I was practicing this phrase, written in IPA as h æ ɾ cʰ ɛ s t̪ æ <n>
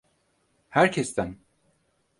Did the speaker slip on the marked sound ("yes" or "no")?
no